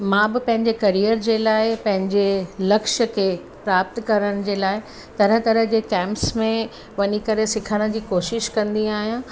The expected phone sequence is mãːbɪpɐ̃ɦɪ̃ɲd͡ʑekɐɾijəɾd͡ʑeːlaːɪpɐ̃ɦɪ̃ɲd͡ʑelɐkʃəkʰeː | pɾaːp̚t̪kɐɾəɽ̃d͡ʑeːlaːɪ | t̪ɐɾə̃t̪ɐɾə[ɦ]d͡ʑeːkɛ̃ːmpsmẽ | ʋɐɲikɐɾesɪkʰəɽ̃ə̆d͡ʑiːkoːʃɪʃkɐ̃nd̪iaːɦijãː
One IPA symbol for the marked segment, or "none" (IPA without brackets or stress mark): ɦ